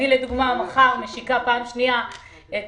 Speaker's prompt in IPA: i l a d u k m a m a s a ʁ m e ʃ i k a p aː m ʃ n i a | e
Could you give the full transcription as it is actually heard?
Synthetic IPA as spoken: i l e d u ɡ m a m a χ a ʁ m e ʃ i k a p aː m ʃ n i a | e